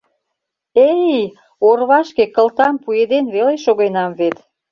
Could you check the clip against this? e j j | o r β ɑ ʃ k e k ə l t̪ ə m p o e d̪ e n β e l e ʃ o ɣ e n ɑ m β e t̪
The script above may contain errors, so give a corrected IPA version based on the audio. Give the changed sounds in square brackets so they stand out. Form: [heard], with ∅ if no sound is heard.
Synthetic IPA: e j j | o r β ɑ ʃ k e k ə l t̪ [ɑ] m p [u] e d̪ e n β e l e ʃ o ɣ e n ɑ m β e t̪